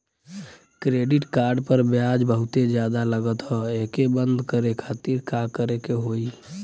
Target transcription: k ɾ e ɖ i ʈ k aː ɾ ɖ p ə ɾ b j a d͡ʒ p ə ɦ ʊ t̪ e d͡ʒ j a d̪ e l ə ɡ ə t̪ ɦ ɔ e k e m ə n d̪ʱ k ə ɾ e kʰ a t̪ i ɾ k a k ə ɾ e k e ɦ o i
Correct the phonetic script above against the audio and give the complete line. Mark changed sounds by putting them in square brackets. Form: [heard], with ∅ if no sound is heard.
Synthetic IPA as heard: k ɾ e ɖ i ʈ k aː ɾ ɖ p ə ɾ b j a d͡ʒ [b] ə ɦ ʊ t̪ e d͡ʒ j a d̪ [a] l ə ɡ ə t̪ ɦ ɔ e k e [b] ə n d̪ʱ k ə ɾ e kʰ a t̪ i ɾ k a k ə ɾ e k e ɦ o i